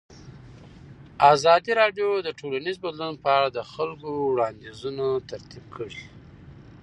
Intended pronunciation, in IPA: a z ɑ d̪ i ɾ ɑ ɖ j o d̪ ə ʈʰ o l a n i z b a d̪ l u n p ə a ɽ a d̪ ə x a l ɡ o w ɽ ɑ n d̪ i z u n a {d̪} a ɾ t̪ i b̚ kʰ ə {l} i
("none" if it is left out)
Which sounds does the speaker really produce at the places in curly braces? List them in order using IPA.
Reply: t̪, ɽ

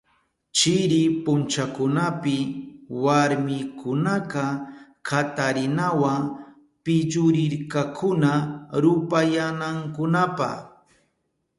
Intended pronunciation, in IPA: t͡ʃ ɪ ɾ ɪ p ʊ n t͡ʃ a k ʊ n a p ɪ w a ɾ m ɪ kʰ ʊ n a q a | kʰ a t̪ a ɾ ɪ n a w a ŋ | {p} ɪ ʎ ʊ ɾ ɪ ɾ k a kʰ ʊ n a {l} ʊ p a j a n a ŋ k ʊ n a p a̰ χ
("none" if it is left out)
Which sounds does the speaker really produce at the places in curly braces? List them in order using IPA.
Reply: p, ɾ

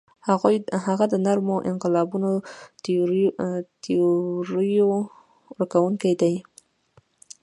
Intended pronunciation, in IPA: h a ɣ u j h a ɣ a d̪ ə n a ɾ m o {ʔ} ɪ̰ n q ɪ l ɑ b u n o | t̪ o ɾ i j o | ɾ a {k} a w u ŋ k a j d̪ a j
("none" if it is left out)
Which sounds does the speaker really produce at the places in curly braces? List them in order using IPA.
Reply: ʔ, k

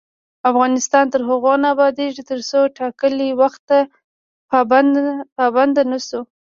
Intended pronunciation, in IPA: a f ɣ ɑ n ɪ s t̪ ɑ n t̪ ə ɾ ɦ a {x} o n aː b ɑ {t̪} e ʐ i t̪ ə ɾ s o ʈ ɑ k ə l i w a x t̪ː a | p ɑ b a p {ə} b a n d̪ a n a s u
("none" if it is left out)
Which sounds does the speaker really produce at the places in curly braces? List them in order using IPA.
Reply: ɣ, d̪, ɑ

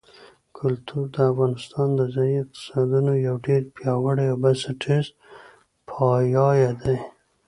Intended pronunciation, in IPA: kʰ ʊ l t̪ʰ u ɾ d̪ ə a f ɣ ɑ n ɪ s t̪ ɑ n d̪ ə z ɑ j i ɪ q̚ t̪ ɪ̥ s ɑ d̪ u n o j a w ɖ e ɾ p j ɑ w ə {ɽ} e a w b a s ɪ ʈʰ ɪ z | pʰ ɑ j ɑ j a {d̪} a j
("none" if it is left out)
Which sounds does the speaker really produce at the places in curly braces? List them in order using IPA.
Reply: ɽ, d̪

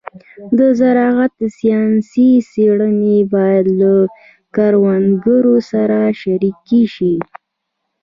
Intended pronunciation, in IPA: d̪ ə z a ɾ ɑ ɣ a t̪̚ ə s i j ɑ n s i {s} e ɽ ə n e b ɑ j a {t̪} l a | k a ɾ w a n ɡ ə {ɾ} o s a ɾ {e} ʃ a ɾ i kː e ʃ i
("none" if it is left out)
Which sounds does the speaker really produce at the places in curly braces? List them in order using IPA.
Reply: s, d̪, ɾ, a

